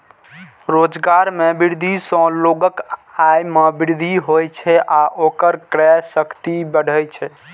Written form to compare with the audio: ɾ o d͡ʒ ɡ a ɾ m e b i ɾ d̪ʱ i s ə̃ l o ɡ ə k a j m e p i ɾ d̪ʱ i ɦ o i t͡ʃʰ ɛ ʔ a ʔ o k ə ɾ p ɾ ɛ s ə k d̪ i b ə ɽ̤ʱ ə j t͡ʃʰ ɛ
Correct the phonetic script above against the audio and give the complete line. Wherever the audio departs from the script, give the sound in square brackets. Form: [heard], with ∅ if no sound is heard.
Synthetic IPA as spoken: ɾ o d͡ʒ ɡ a ɾ m e b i ɾ d̪ʱ i s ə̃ l o ɡ ə k a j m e [b] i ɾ d̪ʱ i ɦ o [j] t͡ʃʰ ɛ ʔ a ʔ o k ə ɾ [k] ɾ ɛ s ə k [t̪] i b ə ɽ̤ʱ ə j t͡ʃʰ ɛ